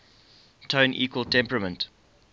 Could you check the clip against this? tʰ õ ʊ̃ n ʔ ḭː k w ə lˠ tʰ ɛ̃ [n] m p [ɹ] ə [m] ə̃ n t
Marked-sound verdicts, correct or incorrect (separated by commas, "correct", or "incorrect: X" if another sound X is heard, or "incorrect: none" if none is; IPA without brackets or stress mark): incorrect: none, correct, correct